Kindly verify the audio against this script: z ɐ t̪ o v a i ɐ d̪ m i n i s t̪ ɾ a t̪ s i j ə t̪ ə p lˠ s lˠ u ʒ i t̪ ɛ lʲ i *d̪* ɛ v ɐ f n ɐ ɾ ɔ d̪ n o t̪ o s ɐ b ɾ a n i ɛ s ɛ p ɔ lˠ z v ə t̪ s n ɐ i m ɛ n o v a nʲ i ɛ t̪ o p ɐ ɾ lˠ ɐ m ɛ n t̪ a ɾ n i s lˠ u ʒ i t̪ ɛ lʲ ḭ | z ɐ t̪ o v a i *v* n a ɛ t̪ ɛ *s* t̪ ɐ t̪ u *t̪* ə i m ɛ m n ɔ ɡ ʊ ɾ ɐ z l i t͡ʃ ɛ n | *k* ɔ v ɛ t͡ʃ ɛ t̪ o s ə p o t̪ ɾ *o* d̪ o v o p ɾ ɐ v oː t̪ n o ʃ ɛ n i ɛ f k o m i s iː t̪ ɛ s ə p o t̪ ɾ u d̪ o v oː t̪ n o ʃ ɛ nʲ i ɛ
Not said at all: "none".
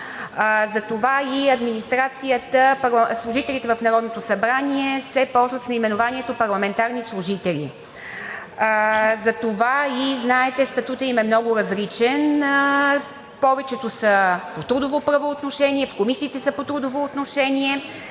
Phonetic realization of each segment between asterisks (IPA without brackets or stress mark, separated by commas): t̪, z, s, t̪, p, u